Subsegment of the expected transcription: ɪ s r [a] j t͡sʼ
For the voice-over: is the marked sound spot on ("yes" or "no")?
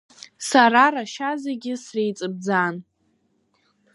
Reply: no